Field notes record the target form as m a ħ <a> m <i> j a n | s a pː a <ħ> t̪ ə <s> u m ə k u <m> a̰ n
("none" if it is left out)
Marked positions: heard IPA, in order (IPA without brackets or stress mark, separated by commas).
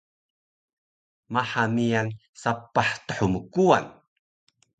a, i, ħ, ħ, none